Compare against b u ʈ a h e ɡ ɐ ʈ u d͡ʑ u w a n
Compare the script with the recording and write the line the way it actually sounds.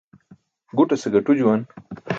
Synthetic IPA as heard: ɡ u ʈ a s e ɡ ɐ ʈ u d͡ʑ u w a n